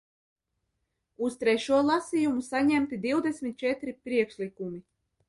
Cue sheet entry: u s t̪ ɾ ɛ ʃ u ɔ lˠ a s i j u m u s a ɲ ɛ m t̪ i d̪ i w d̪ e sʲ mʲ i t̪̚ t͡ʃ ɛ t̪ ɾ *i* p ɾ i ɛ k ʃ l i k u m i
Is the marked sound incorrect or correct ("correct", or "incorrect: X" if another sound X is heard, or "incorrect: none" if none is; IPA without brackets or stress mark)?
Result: correct